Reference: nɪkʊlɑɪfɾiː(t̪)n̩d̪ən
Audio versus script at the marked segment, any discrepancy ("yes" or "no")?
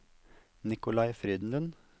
yes